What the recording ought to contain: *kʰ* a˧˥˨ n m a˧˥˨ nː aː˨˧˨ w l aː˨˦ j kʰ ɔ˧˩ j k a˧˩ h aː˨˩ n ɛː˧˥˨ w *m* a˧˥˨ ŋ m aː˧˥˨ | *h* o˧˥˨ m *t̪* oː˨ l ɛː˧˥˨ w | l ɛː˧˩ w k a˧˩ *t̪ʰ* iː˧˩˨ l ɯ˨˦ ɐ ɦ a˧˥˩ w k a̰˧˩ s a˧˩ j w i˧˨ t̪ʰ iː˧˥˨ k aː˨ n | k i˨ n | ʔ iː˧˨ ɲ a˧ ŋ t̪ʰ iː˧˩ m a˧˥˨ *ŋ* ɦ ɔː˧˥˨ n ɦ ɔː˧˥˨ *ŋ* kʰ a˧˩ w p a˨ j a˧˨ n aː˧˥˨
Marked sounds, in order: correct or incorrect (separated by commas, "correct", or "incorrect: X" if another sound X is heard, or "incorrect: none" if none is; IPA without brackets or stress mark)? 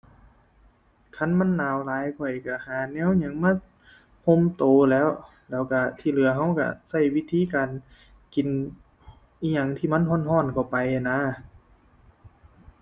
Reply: correct, incorrect: ɲ, correct, correct, correct, incorrect: n, incorrect: n